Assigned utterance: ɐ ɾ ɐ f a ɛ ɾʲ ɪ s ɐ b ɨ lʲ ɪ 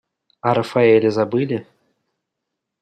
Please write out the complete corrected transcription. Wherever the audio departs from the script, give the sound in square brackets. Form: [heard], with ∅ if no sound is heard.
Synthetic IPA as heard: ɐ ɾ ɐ f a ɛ [lʲ] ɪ [z] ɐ b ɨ lʲ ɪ